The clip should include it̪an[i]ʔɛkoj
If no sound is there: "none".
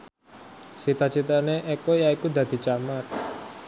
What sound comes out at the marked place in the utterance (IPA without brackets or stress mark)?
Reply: e